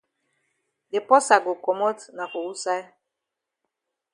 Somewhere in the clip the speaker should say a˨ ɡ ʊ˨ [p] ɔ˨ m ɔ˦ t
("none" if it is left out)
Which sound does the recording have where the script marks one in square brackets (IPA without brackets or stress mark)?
k